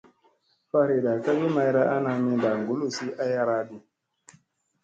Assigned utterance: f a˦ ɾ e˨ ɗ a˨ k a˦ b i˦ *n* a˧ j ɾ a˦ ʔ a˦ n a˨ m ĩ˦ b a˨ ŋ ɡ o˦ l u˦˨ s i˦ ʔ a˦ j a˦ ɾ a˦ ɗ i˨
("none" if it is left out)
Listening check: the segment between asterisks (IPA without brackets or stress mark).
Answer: m